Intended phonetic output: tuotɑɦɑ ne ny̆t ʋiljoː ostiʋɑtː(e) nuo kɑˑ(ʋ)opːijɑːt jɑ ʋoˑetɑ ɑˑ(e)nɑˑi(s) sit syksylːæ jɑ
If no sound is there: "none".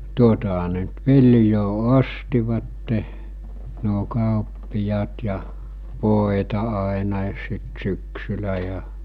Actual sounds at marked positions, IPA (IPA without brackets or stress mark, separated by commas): e, none, e, s